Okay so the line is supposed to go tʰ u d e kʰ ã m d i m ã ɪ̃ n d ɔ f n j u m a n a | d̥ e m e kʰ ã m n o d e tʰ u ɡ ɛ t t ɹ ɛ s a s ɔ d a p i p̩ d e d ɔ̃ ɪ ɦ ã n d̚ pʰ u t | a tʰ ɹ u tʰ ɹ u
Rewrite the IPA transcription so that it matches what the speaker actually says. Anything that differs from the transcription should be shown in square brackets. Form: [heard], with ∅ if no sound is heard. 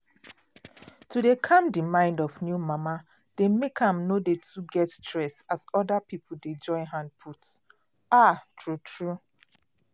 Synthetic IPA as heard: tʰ u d e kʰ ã m d i m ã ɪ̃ n d ɔ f n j u m a [m] a | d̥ e m e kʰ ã m n o d e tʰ u ɡ ɛ t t ɹ ɛ s a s ɔ d a p i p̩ d e [d͡ʒ] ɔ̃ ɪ ɦ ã n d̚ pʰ u t | a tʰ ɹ u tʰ ɹ u